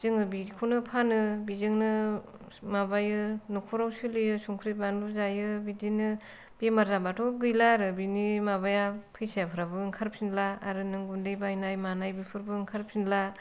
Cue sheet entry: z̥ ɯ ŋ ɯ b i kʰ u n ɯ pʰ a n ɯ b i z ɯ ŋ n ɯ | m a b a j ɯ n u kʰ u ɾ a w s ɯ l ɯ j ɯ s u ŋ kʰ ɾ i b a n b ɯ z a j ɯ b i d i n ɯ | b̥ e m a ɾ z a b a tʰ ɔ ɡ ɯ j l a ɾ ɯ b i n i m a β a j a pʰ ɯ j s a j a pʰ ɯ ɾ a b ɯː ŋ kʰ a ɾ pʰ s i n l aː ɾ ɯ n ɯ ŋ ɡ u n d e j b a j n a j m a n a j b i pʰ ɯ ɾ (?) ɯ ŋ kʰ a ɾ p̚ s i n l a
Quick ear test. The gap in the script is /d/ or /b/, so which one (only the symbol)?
b